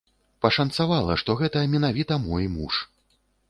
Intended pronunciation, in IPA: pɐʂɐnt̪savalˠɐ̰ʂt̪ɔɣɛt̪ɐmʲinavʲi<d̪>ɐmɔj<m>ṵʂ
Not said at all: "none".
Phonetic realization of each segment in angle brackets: t̪, m

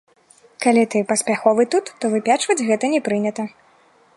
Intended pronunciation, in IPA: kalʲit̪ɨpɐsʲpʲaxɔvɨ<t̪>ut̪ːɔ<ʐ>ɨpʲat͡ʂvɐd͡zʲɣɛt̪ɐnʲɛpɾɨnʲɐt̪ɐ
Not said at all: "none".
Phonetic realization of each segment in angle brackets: t̪, v

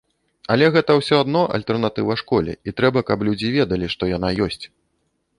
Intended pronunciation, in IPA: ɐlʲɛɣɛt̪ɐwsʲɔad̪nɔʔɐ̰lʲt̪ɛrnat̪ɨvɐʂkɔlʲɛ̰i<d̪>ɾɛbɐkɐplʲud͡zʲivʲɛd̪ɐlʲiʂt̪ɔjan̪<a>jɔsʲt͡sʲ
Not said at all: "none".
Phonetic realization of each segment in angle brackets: t̪, a

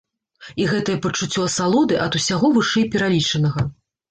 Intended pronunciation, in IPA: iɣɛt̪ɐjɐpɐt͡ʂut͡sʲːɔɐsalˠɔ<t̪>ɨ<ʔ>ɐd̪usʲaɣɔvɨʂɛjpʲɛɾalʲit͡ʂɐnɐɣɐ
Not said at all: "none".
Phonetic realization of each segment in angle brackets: d̪, ʔ

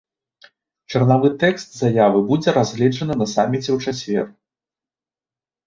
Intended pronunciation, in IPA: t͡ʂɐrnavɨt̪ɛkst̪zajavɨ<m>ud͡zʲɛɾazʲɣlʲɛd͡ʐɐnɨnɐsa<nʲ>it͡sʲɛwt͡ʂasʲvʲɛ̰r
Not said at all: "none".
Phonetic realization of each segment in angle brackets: b, mʲ

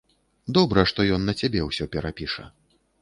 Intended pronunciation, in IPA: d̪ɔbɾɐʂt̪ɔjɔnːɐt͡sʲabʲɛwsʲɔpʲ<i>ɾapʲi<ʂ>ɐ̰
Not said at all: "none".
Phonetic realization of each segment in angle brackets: ɛ, ʂ

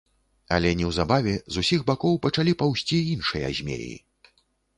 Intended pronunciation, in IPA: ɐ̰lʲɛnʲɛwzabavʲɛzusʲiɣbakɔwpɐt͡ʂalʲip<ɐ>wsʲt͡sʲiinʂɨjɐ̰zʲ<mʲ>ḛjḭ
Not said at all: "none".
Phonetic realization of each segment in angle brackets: a, mʲ

